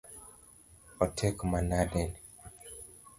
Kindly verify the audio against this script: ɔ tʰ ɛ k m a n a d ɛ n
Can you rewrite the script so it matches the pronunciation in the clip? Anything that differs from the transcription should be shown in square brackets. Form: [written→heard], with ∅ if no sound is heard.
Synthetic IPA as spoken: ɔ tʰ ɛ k m a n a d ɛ n

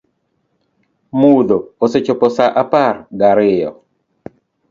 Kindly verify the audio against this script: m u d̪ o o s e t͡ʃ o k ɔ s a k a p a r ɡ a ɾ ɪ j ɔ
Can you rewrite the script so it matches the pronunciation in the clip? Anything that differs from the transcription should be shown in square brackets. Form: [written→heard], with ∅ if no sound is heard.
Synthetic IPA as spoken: m u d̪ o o s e t͡ʃ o [k→p] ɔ s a [k→ʔ] a p a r ɡ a ɾ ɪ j ɔ

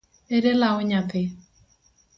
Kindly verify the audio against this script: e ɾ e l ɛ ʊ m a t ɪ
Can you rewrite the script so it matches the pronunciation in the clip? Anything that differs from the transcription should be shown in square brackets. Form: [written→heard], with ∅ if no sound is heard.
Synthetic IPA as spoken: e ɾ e l [ɛ→a] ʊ [m→ɲ] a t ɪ

